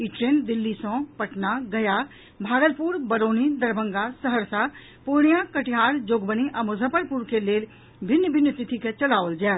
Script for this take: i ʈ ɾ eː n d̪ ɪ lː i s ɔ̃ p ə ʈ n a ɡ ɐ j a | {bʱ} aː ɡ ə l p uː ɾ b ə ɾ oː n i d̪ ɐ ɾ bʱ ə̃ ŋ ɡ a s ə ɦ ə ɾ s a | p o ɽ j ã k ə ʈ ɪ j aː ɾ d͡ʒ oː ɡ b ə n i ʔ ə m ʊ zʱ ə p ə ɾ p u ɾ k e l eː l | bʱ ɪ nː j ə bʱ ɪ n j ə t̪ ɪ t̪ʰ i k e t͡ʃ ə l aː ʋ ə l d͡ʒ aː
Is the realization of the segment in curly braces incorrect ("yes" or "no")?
no